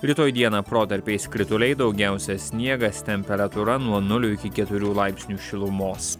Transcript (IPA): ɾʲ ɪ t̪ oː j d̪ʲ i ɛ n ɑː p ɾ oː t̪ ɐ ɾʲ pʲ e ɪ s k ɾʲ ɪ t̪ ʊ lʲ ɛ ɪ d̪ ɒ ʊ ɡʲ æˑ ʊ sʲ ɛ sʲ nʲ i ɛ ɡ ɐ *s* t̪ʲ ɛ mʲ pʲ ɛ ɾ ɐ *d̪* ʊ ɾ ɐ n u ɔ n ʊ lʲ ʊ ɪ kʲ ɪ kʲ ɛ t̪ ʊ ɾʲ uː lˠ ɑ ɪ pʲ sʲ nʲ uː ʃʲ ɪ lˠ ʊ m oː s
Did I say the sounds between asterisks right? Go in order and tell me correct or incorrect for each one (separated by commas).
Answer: correct, incorrect